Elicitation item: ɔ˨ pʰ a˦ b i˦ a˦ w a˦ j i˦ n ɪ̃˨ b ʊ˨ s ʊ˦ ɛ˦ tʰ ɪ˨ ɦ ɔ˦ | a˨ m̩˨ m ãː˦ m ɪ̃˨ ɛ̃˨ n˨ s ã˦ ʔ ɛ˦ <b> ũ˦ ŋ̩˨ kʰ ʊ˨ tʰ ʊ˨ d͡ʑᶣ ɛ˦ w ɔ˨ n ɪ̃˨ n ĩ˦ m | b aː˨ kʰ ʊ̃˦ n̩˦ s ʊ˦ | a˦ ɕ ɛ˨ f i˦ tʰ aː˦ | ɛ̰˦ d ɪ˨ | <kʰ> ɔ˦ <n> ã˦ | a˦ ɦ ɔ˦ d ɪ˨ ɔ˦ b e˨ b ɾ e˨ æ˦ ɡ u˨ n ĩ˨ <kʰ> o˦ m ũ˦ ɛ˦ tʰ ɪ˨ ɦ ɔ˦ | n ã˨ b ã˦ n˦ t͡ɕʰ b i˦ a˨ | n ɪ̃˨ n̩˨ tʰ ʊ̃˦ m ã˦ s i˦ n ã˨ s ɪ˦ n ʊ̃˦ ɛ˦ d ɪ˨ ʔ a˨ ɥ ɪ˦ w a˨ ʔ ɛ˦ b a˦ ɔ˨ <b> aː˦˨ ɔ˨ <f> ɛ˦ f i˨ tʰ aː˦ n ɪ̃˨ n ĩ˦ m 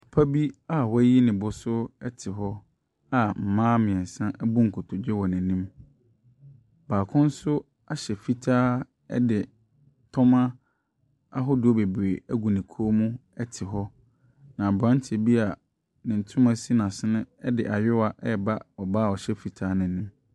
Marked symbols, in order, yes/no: yes, no, no, yes, yes, no

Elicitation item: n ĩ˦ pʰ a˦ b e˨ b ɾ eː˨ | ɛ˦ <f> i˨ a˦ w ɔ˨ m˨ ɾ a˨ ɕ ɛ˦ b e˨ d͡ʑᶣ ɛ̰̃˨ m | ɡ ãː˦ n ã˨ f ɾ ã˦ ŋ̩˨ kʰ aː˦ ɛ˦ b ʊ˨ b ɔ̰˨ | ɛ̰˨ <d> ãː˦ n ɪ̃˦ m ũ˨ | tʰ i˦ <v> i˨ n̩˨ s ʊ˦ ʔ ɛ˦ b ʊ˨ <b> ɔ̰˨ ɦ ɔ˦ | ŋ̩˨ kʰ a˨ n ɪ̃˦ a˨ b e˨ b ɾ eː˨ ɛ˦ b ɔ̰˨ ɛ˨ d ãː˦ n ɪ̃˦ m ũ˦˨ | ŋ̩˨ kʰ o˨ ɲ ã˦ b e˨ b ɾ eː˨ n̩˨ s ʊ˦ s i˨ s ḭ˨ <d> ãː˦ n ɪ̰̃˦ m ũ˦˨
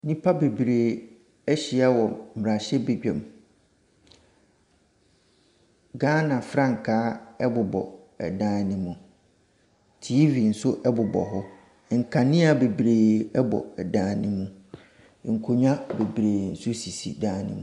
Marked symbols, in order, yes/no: no, yes, yes, yes, yes

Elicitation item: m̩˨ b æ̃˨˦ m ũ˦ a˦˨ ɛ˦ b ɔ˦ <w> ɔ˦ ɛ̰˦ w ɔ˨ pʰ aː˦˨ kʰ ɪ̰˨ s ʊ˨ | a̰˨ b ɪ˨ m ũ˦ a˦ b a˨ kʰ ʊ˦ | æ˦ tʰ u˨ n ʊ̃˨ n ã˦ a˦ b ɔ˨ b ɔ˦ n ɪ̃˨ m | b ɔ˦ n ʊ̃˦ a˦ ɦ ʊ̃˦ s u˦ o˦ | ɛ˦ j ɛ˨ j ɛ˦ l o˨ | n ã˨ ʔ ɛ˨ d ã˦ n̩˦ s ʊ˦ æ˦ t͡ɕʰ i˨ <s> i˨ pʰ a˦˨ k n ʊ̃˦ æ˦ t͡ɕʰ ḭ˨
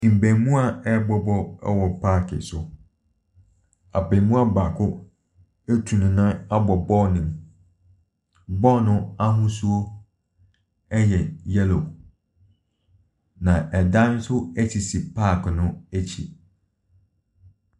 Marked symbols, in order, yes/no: no, yes

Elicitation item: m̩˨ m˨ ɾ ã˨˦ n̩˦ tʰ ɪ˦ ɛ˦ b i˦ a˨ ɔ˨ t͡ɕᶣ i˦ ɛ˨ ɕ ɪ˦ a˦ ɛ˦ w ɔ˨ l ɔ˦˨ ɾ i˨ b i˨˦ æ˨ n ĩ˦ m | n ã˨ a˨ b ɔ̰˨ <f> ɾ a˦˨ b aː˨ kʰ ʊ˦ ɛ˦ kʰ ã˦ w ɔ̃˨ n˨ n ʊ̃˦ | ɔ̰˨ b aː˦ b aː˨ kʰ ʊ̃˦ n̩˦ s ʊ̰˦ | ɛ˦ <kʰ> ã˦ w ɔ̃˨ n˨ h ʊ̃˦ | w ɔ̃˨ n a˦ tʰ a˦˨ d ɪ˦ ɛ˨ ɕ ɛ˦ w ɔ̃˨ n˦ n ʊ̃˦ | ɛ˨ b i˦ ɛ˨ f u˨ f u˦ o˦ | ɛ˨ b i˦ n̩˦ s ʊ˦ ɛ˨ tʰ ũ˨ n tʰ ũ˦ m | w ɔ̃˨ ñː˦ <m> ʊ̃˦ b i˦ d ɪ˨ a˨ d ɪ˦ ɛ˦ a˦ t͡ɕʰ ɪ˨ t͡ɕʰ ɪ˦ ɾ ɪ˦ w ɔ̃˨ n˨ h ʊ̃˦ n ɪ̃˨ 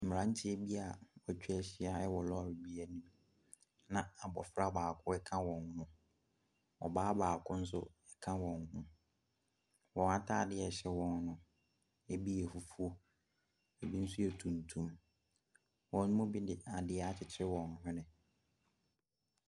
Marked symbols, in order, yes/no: yes, yes, yes

